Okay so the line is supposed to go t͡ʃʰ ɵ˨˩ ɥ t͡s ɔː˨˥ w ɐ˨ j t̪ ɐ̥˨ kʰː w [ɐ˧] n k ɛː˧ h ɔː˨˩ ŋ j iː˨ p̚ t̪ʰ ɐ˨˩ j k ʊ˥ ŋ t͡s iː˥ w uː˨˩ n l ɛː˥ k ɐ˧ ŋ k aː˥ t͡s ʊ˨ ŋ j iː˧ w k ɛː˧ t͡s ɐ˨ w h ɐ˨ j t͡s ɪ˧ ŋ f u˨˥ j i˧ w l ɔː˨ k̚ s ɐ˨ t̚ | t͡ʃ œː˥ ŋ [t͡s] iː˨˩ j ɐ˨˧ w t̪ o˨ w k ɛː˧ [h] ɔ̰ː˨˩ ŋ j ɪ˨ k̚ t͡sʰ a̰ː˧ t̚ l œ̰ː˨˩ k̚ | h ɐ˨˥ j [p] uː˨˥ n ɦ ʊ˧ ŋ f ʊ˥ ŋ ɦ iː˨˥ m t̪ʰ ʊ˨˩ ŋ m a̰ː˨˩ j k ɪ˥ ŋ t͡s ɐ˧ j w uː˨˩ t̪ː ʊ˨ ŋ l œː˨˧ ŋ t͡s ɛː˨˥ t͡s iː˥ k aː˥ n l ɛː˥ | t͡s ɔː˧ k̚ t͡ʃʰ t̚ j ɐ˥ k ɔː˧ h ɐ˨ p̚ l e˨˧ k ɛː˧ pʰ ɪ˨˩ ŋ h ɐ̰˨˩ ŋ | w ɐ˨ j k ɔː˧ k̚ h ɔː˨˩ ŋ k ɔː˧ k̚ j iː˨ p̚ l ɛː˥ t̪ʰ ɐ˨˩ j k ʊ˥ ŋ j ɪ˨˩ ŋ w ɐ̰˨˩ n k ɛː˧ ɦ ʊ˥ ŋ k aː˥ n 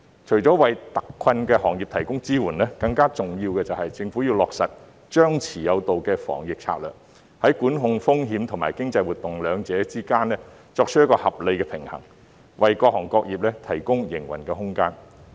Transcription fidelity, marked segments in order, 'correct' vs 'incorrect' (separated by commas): correct, incorrect, incorrect, incorrect